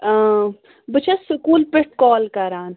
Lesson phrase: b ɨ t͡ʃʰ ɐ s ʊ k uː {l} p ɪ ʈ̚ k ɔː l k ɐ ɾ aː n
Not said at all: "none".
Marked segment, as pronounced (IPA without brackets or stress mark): l